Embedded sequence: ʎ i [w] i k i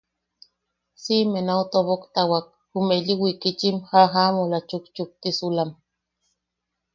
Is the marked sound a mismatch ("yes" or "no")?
no